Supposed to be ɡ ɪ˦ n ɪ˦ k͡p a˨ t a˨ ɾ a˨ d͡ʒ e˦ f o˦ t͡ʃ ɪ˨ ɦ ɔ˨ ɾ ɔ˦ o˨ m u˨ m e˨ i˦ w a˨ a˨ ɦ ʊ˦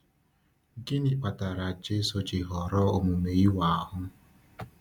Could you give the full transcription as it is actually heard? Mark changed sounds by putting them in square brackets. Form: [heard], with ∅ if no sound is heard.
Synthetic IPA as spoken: ɡ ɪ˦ n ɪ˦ k͡p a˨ t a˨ ɾ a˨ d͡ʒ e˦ [s] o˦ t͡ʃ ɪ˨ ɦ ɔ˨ ɾ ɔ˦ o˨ m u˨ m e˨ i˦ w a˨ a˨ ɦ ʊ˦